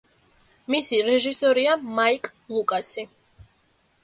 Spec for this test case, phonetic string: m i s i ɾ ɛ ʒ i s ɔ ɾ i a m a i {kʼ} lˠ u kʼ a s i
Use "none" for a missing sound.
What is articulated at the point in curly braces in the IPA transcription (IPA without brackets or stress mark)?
kʼ